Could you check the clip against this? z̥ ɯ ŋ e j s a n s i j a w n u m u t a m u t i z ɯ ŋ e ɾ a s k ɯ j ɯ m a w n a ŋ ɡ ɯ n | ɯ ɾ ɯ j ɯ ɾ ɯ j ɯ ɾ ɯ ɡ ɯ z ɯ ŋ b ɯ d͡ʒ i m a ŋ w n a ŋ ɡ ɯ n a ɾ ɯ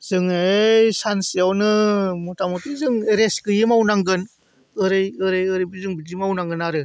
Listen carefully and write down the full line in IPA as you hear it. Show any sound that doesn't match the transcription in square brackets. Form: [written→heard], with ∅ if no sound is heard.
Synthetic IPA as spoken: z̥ ɯ ŋ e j s a n s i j a w n [u→ɯ] m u t a m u t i z ɯ ŋ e ɾ [a→e] s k ɯ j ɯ m a w n a ŋ ɡ ɯ n | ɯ ɾ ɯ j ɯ ɾ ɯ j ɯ ɾ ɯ [ɡ→b] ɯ z ɯ ŋ b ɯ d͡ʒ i m a [ŋ→∅] w n a ŋ ɡ ɯ n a ɾ ɯ